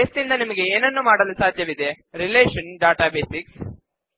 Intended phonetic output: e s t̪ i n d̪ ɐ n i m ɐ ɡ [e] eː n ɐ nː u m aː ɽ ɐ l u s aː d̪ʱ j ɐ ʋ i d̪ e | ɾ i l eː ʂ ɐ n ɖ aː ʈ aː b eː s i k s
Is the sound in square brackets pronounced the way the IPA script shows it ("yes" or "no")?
yes